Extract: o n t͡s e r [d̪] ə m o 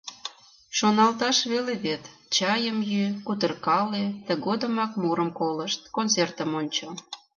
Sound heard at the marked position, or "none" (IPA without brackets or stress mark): t̪